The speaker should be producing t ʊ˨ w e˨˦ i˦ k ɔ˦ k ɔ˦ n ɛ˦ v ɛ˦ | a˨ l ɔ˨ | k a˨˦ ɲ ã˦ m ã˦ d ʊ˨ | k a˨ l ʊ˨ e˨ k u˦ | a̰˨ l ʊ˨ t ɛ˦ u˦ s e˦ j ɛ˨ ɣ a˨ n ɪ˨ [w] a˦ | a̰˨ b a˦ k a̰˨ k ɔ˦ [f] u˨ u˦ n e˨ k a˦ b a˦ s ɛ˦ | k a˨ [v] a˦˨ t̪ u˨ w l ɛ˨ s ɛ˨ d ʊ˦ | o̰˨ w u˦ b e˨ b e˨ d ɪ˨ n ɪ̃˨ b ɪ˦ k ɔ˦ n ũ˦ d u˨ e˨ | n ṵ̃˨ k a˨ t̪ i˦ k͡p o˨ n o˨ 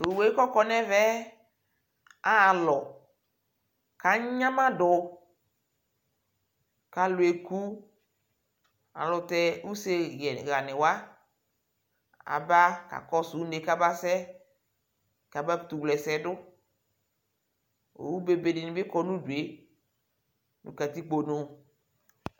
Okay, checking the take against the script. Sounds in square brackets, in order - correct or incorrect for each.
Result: correct, incorrect: s, incorrect: b

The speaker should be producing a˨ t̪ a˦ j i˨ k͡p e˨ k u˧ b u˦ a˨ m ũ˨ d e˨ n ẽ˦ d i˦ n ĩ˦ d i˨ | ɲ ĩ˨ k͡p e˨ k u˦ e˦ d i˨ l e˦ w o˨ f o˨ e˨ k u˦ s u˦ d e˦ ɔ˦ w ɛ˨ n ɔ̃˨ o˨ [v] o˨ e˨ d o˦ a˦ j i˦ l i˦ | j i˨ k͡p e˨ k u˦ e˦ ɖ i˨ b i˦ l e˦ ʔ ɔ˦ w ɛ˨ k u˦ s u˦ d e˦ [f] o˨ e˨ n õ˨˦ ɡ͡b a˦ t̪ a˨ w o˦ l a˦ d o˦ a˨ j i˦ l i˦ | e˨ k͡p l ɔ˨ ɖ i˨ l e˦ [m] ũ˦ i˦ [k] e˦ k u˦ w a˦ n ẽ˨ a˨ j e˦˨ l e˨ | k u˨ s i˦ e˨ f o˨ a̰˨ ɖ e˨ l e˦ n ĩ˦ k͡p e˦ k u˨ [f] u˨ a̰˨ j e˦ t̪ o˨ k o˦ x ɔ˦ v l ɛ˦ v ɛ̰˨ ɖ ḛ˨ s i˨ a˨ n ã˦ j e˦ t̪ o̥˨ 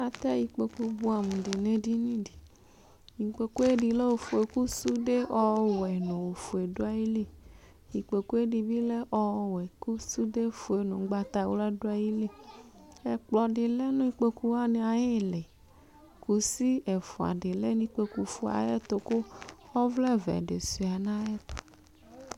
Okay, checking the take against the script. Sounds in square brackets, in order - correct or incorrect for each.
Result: incorrect: f, correct, incorrect: n, incorrect: k͡p, correct

